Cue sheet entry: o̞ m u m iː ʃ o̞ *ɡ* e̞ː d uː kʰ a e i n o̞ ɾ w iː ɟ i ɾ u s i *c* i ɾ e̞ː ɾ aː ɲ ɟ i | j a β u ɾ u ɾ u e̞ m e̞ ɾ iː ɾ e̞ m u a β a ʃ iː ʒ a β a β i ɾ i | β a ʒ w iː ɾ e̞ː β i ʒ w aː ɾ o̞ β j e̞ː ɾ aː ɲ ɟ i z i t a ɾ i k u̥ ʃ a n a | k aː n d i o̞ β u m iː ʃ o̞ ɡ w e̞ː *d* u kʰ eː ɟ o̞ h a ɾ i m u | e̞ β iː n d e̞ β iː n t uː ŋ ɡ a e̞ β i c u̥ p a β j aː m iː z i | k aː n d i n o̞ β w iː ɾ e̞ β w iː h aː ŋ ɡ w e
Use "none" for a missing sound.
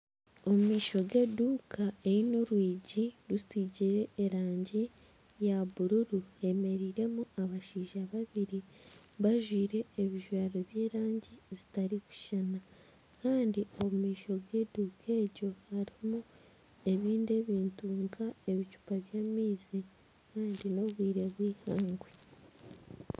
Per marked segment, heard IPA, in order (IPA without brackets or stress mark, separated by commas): ɡ, ɟ, d